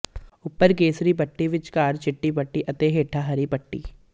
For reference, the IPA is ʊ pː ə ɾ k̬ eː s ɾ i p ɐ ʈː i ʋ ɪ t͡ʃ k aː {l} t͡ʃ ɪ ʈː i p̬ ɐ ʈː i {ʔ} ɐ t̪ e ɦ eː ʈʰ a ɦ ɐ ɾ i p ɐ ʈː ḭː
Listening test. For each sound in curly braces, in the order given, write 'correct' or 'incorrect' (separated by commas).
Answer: incorrect, correct